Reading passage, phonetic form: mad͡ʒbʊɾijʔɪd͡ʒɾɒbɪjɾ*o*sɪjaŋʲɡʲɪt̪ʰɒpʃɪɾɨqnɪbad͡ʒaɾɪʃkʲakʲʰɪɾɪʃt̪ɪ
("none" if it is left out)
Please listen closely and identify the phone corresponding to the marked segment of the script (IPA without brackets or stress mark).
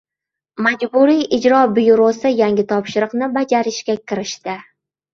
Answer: o